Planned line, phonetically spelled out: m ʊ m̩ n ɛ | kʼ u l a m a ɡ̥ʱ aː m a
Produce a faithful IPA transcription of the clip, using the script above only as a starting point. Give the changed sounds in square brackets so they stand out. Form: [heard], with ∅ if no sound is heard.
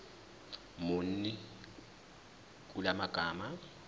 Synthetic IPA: m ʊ [n̩] n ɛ | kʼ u l a m a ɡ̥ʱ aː m a